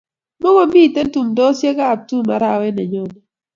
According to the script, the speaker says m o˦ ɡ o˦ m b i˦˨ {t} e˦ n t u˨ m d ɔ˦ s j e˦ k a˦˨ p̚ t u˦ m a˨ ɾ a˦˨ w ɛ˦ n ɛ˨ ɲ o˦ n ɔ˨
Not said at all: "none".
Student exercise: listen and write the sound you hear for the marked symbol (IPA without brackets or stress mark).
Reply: t